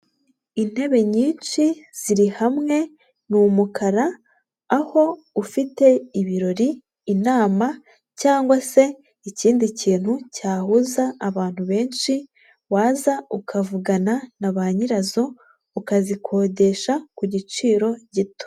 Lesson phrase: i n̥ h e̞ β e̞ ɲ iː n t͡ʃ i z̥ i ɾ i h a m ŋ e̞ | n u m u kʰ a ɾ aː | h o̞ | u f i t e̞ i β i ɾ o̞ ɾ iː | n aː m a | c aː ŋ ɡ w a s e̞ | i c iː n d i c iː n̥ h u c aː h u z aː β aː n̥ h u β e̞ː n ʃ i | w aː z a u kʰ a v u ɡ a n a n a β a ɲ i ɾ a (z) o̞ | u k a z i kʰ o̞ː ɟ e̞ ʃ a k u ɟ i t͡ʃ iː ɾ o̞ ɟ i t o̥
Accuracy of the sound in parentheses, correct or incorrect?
correct